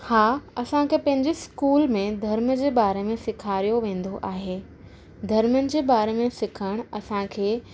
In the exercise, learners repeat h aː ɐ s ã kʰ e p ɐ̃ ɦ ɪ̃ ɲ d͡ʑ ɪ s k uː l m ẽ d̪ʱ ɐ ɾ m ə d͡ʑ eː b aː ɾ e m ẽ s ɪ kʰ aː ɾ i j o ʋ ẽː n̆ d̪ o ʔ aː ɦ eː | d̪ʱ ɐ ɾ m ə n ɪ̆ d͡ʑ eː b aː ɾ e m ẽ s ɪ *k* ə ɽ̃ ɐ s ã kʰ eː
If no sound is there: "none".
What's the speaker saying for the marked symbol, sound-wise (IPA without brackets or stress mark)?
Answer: kʰ